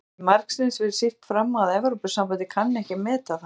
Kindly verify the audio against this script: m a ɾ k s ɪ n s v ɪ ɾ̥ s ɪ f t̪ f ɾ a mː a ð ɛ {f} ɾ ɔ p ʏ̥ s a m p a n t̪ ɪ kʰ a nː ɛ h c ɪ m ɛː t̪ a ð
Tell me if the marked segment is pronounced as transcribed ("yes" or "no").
no